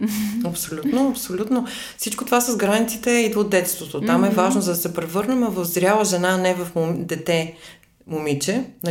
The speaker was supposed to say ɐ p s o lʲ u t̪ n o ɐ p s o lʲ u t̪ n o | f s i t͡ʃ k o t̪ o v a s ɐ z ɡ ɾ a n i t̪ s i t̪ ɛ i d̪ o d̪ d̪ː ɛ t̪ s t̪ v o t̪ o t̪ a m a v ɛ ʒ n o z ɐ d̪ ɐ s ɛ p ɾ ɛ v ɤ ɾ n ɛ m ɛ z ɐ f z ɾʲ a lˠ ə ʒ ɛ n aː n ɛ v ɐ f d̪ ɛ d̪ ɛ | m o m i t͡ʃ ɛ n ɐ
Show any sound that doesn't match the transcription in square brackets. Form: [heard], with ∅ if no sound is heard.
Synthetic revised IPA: ɐ p s o lʲ u t̪ n o ɐ p s o lʲ u t̪ n o | f s i t͡ʃ k o t̪ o v a s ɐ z ɡ ɾ a n i t̪ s i t̪ ɛ i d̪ o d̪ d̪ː ɛ t̪ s t̪ v o t̪ o t̪ a m [ɛ] v [a] ʒ n o z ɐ d̪ ɐ s ɛ p ɾ ɛ v ɤ ɾ n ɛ m ɛ [v] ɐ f z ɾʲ a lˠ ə ʒ ɛ n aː n ɛ v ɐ f d̪ ɛ [t̪] ɛ | m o m i t͡ʃ ɛ n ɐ